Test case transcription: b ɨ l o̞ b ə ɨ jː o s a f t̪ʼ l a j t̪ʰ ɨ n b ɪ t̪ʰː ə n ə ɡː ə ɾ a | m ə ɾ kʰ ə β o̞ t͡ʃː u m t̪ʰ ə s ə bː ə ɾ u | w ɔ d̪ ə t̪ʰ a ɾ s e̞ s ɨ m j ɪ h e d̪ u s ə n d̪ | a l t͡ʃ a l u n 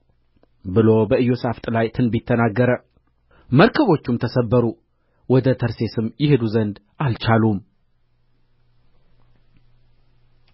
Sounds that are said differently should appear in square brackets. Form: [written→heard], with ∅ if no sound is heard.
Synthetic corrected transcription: b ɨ l o̞ b ə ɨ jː o s a f t̪ʼ l a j t̪ʰ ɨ n b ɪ t̪ʰː ə n [ə→a] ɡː ə ɾ [a→ə] | m ə ɾ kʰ ə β o̞ t͡ʃː u m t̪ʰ ə s ə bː ə ɾ u | w ɔ d̪ ə t̪ʰ [a→ə] ɾ s e̞ s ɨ m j ɪ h e d̪ u [s→z] ə n d̪ | a l t͡ʃ a l u [n→m]